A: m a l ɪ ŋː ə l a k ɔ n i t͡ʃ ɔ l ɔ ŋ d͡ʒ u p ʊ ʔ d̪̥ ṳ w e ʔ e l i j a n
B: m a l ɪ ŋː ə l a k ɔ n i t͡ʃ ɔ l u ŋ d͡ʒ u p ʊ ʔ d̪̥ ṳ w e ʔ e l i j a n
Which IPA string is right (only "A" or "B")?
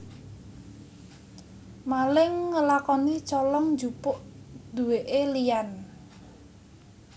A